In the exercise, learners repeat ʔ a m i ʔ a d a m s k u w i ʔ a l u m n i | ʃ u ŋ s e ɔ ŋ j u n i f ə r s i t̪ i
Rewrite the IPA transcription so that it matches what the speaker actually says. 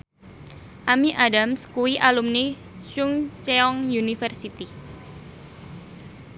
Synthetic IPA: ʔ a m i ʔ a d a m s k u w i ʔ a l u m n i | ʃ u ŋ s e ɔ ŋ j u n i f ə r s i t̪ i